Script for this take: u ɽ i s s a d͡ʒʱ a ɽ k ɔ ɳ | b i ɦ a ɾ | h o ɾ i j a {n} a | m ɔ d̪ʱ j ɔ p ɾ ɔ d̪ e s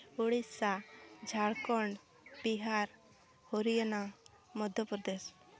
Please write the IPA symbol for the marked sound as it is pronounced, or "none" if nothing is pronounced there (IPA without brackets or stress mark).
n